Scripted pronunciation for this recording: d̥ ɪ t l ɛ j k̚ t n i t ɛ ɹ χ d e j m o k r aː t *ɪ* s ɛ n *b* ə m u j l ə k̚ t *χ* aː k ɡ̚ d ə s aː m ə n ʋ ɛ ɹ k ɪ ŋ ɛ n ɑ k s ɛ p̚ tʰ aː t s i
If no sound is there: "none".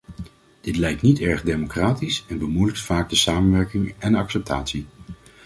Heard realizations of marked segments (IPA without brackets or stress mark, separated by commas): i, b, f